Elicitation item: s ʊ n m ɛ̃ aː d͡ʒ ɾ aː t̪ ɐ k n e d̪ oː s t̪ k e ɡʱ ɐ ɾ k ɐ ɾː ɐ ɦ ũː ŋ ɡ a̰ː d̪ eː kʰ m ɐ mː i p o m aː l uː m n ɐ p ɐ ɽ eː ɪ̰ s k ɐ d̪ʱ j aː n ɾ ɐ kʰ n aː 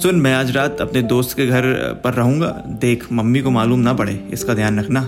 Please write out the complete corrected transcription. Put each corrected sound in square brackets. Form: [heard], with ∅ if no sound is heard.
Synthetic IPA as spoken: s ʊ n m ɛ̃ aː d͡ʒ ɾ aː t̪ ɐ [p] n e d̪ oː s t̪ k e ɡʱ ɐ ɾ [p] ɐ ɾː ɐ ɦ ũː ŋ ɡ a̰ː d̪ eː kʰ m ɐ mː i [k] o m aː l uː m n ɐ p ɐ ɽ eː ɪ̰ s k [a] d̪ʱ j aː n ɾ ɐ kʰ n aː